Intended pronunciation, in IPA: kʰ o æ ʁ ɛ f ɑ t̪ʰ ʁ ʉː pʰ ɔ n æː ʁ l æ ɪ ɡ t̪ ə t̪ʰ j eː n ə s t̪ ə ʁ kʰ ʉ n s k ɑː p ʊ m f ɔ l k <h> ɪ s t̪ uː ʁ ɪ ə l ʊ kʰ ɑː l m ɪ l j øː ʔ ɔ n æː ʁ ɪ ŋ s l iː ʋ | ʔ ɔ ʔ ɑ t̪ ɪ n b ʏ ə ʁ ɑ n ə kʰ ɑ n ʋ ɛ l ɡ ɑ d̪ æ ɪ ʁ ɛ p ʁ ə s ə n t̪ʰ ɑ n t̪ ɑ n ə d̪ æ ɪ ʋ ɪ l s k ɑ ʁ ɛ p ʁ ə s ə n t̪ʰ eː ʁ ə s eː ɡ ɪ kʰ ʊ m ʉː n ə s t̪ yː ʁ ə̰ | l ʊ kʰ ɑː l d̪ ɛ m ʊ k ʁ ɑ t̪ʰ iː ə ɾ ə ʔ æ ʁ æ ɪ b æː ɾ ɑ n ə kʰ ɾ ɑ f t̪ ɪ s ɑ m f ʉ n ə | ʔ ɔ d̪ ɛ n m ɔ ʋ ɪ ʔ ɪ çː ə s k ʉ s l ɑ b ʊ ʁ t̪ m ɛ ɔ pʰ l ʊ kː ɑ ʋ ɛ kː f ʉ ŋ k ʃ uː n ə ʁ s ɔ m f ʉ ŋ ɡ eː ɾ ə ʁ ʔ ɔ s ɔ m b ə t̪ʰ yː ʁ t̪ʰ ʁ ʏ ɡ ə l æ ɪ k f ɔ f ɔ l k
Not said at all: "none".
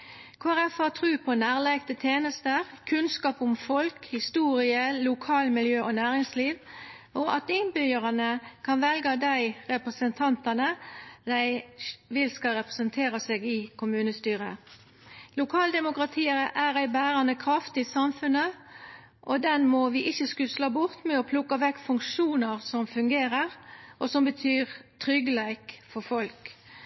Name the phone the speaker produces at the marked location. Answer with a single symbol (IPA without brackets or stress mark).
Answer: h